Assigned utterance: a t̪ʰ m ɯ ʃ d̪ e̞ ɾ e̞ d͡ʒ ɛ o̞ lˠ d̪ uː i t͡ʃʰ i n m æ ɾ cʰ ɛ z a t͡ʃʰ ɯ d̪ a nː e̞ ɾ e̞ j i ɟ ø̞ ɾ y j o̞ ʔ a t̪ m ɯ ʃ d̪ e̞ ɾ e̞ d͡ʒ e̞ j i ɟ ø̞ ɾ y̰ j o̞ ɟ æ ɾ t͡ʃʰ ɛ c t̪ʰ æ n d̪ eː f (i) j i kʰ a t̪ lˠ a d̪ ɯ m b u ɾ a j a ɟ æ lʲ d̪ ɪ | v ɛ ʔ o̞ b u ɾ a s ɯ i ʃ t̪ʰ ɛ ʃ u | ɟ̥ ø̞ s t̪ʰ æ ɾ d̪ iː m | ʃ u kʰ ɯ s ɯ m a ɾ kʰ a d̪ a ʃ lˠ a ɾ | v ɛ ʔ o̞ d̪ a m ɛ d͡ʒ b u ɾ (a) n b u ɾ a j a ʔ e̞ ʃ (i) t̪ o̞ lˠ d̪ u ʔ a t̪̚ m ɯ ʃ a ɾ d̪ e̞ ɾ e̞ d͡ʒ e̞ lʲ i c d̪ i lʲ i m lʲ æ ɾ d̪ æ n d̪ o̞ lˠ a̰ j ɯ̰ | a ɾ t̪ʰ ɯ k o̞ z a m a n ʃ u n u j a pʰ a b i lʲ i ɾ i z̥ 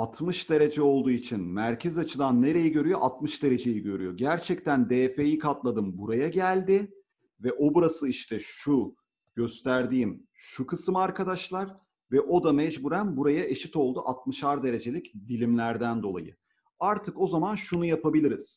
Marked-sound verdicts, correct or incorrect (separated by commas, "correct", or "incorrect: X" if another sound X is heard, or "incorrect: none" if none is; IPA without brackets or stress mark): incorrect: e, incorrect: æ, correct